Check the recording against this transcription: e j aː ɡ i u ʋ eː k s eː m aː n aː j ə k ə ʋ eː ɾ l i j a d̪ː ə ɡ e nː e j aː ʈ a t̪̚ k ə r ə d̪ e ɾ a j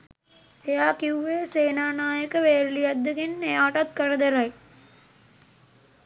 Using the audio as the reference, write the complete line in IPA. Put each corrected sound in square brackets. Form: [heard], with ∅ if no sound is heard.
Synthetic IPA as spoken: e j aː [k] i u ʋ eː [∅] s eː [n] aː n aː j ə k ə ʋ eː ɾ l i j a d̪ː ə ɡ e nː e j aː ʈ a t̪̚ k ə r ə d̪ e ɾ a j